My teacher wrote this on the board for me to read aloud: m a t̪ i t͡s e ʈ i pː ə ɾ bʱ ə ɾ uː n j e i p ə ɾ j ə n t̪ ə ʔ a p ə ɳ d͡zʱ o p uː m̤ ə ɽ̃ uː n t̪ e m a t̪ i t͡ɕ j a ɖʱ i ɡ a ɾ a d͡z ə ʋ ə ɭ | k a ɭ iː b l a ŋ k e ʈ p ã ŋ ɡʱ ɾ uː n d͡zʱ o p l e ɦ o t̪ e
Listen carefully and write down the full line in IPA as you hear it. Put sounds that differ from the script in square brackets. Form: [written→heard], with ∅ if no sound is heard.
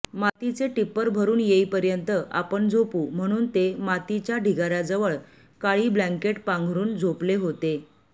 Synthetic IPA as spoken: m a t̪ i t͡s e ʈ i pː ə ɾ bʱ ə ɾ uː n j e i p ə ɾ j ə n t̪ ə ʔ a p ə ɳ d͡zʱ o p uː m̤ ə ɽ̃ uː n t̪ e m a t̪ i t͡ɕ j a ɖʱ i ɡ a ɾ a d͡z ə ʋ ə ɭ | k a ɭ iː b l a ŋ k e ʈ p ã ŋ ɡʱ ɾ uː n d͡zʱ o p l e ɦ o t̪ e